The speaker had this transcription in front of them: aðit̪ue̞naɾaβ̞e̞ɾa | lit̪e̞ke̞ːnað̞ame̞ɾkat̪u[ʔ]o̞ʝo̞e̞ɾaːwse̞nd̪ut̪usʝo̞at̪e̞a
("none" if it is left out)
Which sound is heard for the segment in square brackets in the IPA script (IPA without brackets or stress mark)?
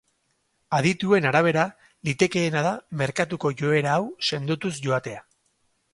k